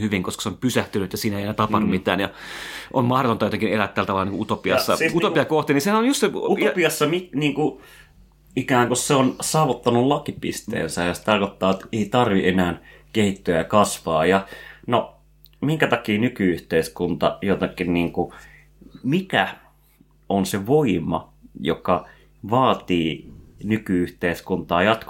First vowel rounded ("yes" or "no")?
yes